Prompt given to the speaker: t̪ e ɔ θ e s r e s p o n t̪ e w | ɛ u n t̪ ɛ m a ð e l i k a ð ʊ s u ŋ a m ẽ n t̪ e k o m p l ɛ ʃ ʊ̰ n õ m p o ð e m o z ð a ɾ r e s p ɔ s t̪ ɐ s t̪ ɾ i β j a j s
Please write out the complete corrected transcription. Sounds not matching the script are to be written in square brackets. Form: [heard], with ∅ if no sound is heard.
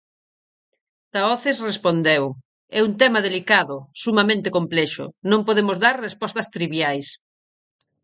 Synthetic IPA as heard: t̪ [a] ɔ θ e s r e s p o n [d̪] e w | ɛ u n t̪ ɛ m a ð e l i k a ð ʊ s u [m] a m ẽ n t̪ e k o m p l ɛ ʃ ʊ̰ n õ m p o ð e m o z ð a ɾ r e s p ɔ s t̪ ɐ s t̪ ɾ i β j a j s